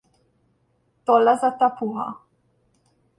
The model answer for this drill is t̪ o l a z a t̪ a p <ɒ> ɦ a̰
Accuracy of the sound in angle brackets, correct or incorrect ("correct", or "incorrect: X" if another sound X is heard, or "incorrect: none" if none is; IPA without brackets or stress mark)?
incorrect: u